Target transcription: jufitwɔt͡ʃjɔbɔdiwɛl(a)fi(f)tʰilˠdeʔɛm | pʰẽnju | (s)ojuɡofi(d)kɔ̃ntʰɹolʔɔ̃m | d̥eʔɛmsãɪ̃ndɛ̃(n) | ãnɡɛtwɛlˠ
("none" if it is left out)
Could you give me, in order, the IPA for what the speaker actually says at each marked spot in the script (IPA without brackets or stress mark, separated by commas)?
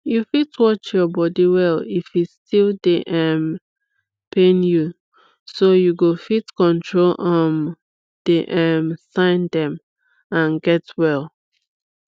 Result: i, s, s, t, m